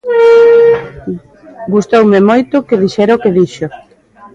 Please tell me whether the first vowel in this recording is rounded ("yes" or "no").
yes